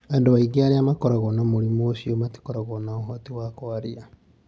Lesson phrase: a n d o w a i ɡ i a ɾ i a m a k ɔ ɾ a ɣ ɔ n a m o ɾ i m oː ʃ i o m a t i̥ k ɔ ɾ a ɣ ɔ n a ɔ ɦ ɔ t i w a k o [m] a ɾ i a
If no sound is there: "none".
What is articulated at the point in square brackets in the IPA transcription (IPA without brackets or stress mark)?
none